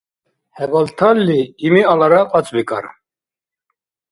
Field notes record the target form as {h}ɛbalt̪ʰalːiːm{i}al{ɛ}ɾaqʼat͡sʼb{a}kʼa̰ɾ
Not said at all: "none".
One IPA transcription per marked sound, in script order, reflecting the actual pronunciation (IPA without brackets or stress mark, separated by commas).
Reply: h, i, a, i